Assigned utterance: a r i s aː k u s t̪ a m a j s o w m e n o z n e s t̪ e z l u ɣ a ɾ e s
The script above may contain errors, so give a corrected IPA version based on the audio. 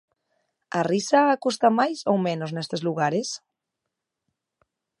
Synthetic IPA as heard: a r i s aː k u s t̪ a m a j s o w m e n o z n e s t̪ e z l u ɣ a ɾ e s